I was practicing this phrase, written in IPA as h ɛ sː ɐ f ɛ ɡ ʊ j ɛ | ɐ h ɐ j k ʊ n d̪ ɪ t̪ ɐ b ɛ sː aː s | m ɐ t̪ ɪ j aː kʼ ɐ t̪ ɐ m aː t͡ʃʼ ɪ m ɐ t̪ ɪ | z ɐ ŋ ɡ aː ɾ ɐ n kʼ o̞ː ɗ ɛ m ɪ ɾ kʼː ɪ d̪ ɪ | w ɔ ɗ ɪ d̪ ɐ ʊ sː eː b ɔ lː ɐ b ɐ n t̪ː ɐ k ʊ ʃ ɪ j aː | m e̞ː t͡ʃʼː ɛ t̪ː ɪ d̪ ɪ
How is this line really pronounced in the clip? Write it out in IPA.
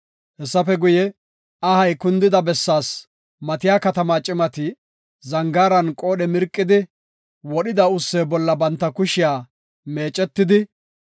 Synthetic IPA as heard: h ɛ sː ɐ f ɛ ɡ ʊ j ɛ | ɐ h ɐ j k ʊ n d̪ ɪ d̪ ɐ b ɛ sː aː s | m ɐ t̪ ɪ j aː k ɐ t̪ ɐ m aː t͡ʃʼ ɪ m ɐ t̪ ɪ | z ɐ ŋ ɡ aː ɾ ɐ n kʼ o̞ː ɗ ɛ m ɪ ɾ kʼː ɪ d̪ ɪ | w ɔ ɗ ɪ d̪ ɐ ʊ sː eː b ɔ lː ɐ b ɐ n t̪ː ɐ k ʊ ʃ ɪ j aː | m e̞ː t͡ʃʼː ɛ t̪ː ɪ d̪ ɪ

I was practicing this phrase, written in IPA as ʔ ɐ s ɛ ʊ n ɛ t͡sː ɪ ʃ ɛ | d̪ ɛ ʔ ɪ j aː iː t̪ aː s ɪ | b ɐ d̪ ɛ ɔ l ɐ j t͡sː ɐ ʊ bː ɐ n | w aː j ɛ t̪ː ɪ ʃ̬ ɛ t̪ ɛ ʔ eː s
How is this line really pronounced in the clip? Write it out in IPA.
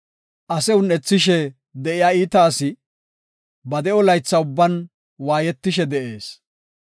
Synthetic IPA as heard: ʔ ɐ s ɛ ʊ n ɛ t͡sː ɪ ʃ ɛ | d̪ ɛ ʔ ɪ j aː iː t̪ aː s ɪ | b ɐ d̪ ɛ ɔ l ɐ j t͡sː ɐ ʊ bː ɐ n | w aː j ɛ t̪ː ɪ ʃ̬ ɛ d̪ ɛ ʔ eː s

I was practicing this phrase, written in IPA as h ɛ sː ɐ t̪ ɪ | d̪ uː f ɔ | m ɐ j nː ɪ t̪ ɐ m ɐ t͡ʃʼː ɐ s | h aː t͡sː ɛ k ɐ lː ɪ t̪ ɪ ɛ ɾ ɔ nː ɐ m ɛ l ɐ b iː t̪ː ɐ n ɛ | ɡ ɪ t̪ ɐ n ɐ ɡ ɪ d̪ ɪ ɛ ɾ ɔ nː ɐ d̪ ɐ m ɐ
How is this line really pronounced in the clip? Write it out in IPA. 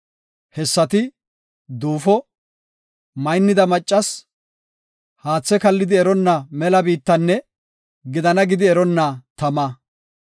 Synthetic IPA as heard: h ɛ sː ɐ t̪ ɪ | d̪ uː f ɔ | m ɐ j nː ɪ d̪ ɐ m ɐ t͡ʃʼː ɐ s | h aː t͡sː ɛ k ɐ lː ɪ d̪ ɪ ɛ ɾ ɔ nː ɐ m ɛ l ɐ b iː t̪ː ɐ nː ɛ | ɡ ɪ d̪ ɐ n ɐ ɡ ɪ d̪ ɪ ɛ ɾ ɔ nː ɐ t̪ ɐ m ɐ

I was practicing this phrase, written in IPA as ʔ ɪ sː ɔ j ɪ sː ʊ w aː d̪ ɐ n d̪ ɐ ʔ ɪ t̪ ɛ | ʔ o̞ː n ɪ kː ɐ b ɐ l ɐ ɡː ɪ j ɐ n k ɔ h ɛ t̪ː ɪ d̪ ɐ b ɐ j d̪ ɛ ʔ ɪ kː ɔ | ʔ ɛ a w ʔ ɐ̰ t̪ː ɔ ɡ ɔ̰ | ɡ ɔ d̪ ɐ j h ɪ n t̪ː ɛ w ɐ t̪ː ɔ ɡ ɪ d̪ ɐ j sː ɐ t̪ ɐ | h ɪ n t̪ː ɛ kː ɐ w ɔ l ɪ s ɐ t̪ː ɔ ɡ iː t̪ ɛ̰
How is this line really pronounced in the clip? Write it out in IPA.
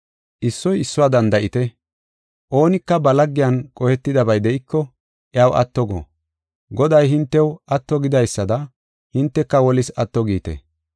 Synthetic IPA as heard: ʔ ɪ sː ɔ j ɪ sː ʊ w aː d̪ ɐ n d̪ ɐ ʔ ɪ t̪ ɛ | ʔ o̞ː n ɪ kː ɐ b ɐ l ɐ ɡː ɪ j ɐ n kʼ ɔ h ɛ t̪ː ɪ d̪ ɐ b ɐ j d̪ ɛ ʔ ɪ kː ɔ | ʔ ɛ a w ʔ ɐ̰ t̪ː ɔ ɡ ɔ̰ | ɡ ɔ d̪ ɐ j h ɪ n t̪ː ɛ w ɐ t̪ː ɔ ɡ ɪ d̪ ɐ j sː ɐ d̪ ɐ | h ɪ n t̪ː ɛ kː ɐ w ɔ l ɪ s ɐ t̪ː ɔ ɡ iː t̪ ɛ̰

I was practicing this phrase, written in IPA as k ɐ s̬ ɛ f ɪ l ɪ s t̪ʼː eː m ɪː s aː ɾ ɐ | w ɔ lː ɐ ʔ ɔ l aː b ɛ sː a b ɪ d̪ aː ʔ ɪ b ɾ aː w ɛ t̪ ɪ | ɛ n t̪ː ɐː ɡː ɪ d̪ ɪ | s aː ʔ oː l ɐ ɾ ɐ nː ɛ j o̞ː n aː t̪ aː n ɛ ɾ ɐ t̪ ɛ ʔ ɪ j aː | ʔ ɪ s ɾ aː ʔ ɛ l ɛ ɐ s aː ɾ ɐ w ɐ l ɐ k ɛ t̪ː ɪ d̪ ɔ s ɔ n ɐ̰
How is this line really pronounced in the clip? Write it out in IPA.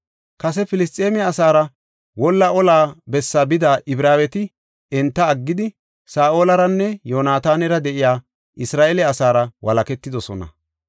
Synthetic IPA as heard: k ɐ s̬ ɛ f ɪ l ɪ s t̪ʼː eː m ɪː s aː ɾ ɐ | w ɔ lː ɐ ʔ ɔ l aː b ɛ sː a b ɪ d̪ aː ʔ ɪ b ɾ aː w ɛ t̪ ɪ | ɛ n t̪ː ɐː ɡː ɪ d̪ ɪ | s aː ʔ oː l ɐ ɾ ɐ nː ɛ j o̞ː n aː t̪ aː n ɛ ɾ ɐ d̪ ɛ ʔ ɪ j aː | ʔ ɪ s ɾ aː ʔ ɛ l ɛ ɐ s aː ɾ ɐ w ɐ l ɐ k ɛ t̪ː ɪ d̪ ɔ s ɔ n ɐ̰

